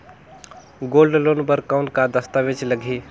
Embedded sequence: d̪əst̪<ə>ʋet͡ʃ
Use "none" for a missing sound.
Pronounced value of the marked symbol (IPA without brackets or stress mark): a